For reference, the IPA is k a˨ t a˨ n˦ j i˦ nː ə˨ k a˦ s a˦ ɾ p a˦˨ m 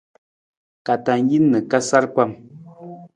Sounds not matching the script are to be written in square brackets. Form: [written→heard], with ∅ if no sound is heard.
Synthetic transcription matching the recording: k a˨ t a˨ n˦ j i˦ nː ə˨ k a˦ s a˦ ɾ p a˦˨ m